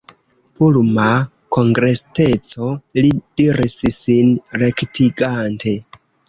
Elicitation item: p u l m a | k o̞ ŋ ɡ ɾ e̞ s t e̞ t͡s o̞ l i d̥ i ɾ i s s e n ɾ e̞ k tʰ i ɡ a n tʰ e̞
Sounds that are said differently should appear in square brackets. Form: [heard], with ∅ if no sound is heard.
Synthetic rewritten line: p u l m a | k o̞ ŋ ɡ ɾ e̞ s t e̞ t͡s o̞ l i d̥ i ɾ i s s [i] n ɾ e̞ k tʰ i ɡ a n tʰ e̞

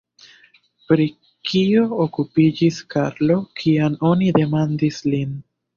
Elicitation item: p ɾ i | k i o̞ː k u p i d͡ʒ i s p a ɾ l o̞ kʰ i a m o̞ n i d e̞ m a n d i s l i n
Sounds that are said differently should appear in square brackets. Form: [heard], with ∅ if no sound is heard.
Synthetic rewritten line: p ɾ i | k i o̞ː k u p i d͡ʒ i s [k] a ɾ l o̞ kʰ i a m o̞ n i d e̞ m a n d i s l i n

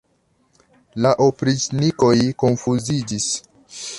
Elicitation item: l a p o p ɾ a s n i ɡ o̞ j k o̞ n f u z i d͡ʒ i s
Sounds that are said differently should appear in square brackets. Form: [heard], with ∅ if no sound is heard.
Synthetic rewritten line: l a [ʔ] o p ɾ [i] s n i [k] o̞ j k o̞ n f u z i d͡ʒ i s

